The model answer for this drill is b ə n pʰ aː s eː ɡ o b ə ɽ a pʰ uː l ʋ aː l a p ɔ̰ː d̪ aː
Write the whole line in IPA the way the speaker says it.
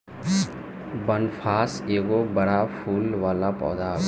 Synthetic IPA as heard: b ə n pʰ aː s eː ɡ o b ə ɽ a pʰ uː l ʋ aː l a p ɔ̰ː d̪ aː